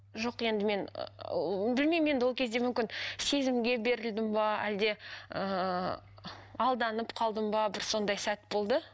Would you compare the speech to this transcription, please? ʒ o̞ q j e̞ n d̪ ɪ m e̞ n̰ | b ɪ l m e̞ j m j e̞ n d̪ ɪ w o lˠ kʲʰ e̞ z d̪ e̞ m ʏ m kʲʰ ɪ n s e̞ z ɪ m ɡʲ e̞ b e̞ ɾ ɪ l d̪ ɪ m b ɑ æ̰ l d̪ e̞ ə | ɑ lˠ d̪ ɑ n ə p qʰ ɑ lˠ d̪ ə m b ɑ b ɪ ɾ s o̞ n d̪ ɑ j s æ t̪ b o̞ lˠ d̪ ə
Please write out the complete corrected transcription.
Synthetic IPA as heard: ʒ o̞ q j e̞ n d̪ ɪ m e̞ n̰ | b ɪ l m e̞ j m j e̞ n d̪ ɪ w o lˠ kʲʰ e̞ z d̪ e̞ m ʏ m kʲ ɪ n s e̞ z ɪ m ɡʲ e̞ b e̞ ɾ ɪ l d̪ ɪ m b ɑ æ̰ l d̪ e̞ ə | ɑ lˠ d̪ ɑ n ə p qʰ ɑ lˠ d̪ ə m b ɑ b ɪ ɾ s o̞ n d̪ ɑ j s æ t̪ b o̞ lˠ d̪ ə

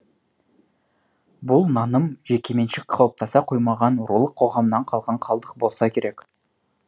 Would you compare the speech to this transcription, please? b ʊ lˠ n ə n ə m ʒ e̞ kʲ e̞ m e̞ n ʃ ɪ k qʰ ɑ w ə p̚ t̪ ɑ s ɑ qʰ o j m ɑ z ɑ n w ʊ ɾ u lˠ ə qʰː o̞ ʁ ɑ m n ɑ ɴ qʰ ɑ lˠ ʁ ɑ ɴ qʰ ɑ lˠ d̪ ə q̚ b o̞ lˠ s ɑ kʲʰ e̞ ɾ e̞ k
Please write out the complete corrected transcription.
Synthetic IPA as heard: b ʊ lˠ n ɑ n ə m ʒ e̞ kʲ e̞ m e̞ n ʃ ɪ k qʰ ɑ w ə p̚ t̪ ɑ s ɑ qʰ o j m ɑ ʁ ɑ n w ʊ ɾ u lˠ ə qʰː o̞ ʁ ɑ m n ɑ ɴ qʰ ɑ lˠ ʁ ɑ ɴ qʰ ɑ lˠ d̪ ə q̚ b o̞ lˠ s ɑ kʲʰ e̞ ɾ e̞ k

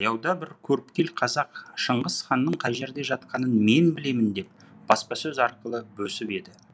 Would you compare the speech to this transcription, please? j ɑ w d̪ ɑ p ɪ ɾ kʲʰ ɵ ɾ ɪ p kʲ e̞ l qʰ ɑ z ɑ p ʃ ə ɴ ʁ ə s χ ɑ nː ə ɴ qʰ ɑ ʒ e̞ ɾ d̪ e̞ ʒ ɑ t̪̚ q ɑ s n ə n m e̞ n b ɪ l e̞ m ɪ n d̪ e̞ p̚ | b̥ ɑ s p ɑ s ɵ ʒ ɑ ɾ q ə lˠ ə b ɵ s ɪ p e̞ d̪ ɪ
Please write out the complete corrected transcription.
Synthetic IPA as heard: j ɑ w d̪ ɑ b ɪ ɾ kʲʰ ɵ ɾ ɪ p kʲ e̞ l qʰ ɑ z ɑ q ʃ ə ɴ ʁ ə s χ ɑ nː ə ɴ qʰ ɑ ʒ e̞ ɾ d̪ e̞ ʒ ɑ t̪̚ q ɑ n ə n m e̞ n b ɪ l e̞ m ɪ n d̪ e̞ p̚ | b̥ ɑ s p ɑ s ɵ z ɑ ɾ q ə lˠ ə b ɵ s ɪ p e̞ d̪ ɪ

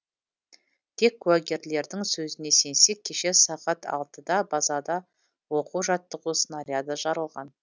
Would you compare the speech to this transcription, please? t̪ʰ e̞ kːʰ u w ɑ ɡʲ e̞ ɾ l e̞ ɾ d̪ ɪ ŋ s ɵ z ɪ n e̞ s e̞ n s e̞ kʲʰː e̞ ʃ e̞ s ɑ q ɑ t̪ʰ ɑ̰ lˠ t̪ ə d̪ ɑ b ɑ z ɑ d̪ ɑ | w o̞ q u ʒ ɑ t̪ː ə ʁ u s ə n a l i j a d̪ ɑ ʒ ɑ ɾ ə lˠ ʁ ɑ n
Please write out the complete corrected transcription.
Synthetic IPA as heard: t̪ʰ e̞ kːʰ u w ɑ ɡʲ e̞ ɾ l e̞ ɾ d̪ ɪ ŋ s ɵ z ɪ n e̞ s e̞ n s e̞ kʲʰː e̞ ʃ e̞ s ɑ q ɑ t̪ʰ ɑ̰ lˠ t̪ ə d̪ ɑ b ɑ z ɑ d̪ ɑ | w o̞ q u ʒ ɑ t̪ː ə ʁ u s ə n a ɾ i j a d̪ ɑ ʒ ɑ ɾ ə lˠ ʁ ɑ n

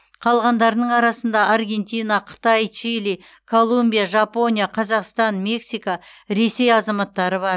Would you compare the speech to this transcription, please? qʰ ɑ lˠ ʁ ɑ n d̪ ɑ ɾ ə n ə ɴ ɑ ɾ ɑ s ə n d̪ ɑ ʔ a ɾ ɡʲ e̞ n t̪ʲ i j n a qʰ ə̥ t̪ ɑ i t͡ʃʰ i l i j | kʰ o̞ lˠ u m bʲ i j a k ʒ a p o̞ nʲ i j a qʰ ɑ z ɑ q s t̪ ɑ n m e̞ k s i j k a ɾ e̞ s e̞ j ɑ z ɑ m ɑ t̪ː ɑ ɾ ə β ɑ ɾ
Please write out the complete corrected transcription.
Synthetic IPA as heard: qʰ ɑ lˠ ʁ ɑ n d̪ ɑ ɾ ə n ə ɴ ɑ ɾ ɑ s ə n d̪ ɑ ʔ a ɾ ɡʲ e̞ n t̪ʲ i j n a qʰ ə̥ t̪ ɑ j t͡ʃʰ i l i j | kʰ o̞ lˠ u m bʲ i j a ʒ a p o̞ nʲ i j a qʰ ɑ z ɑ q s t̪ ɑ n m e̞ k s i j k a ɾ e̞ s e̞ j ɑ z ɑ m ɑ t̪ː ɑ ɾ ə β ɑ ɾ

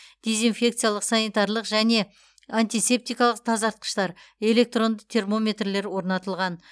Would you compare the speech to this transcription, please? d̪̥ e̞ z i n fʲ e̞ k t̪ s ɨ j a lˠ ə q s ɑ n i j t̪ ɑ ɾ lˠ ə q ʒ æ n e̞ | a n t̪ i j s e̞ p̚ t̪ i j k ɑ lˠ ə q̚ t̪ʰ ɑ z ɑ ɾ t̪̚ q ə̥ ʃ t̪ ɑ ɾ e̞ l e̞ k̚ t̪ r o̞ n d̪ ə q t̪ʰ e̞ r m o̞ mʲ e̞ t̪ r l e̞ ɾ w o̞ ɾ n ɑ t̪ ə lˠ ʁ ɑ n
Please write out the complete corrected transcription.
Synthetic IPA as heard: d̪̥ e̞ z i n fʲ e̞ k t̪ s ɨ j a lˠ ə q s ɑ n i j t̪ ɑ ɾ lˠ ə q ʒ æ n e̞ | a n t̪ i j s e̞ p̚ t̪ i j k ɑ lˠ ə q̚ t̪ʰ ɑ z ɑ ɾ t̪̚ q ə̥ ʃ t̪ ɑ ɾ e̞ l e̞ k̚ t̪ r o̞ n d̪ ə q t̪ʰ e̞ r m o̞ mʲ e̞ t̪ r l e̞ ɾ w o̞ ɾ n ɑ t̪ ə lˠ ʁ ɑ n

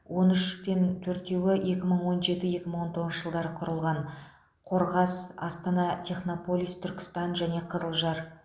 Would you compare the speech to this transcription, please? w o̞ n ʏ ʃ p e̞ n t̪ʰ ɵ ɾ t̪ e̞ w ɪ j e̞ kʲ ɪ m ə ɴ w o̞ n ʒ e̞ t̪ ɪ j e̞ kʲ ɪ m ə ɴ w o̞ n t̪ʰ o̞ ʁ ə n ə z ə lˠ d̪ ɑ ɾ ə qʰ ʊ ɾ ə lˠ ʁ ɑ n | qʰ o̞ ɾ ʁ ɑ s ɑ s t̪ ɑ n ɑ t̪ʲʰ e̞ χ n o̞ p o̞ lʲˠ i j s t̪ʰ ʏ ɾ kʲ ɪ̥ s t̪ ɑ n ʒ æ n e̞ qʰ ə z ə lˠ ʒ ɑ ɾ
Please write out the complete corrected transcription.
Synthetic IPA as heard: w o̞ n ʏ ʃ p e̞ n t̪ʰ ɵ ɾ t̪ e̞ w ɪ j e̞ kʲ ɪ m ə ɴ w o̞ n ʒ e̞ t̪ ɪ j e̞ kʲ ɪ m ə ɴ w o̞ n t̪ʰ o̞ ʁ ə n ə ʒ ə lˠ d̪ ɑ ɾ ə qʰ ʊ ɾ ə lˠ ʁ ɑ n | qʰ o̞ ɾ ʁ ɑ s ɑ s t̪ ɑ n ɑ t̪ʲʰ e̞ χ n o̞ p o̞ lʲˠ i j s t̪ʰ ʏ ɾ kʲ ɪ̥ s t̪ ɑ n ʒ æ n e̞ qʰ ə z ə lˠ ʒ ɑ ɾ

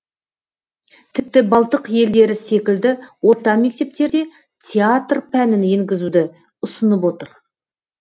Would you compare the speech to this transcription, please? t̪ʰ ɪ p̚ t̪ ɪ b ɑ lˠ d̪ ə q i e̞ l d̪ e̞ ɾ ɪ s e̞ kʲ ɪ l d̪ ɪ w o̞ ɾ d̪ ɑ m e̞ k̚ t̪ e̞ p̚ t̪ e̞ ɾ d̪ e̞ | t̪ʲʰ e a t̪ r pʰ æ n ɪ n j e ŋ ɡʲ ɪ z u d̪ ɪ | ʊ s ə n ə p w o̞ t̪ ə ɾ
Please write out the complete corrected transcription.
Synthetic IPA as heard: t̪ʰ ɪ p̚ t̪ ɪ b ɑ lˠ t̪ ə q j e̞ l d̪ e̞ ɾ ɪ s e̞ kʲ ɪ l d̪ ɪ w o̞ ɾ t̪ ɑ m e̞ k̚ t̪ e̞ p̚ t̪ e̞ ɾ d̪ e̞ | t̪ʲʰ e a t̪ r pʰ æ n ɪ n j e ŋ ɡʲ ɪ z u d̪ ɪ | ʊ s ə n ə p w o̞ t̪ ə ɾ

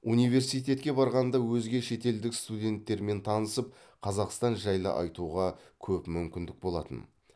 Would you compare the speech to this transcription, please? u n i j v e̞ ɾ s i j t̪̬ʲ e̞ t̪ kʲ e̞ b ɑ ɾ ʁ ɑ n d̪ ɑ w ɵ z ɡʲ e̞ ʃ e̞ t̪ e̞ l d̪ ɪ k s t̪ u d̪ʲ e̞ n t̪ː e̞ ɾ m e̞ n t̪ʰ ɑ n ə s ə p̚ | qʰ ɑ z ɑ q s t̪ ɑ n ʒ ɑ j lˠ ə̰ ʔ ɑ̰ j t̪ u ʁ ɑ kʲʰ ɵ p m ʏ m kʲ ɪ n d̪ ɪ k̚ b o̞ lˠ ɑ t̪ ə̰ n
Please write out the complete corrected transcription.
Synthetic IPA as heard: u n i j v e̞ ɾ s i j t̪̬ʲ e̞ t̪ kʲ e̞ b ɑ ɾ ʁ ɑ n d̪ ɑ w ɵ z ɡʲ e̞ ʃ e̞ t̪ e̞ l d̪ ɪ k s t̪ u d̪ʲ e̞ n t̪ː e̞ ɾ m e̞ n t̪ʰ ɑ n ə s ə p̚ | qʰ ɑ z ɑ q s t̪ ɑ n ʒ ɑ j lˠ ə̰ ʔ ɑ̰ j t̪ u ʁ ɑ kʲʰ ɵ p m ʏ m kʲ ɪ n d̪ ɪ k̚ b o̞ lˠ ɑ t̪ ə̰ n

